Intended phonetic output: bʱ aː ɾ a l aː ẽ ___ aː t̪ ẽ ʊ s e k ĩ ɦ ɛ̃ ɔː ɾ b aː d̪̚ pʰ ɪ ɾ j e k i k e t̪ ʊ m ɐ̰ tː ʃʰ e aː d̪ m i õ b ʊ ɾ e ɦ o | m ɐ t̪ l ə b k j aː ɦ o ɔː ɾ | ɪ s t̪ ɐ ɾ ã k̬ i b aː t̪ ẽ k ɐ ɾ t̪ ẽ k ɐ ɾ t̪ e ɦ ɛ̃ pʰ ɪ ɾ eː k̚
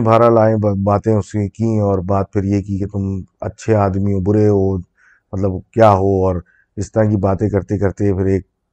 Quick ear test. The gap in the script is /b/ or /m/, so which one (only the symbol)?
b